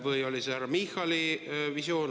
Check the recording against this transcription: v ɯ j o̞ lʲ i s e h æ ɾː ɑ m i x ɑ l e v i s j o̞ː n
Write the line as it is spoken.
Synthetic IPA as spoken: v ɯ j o̞ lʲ i s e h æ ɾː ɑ m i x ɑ l i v i s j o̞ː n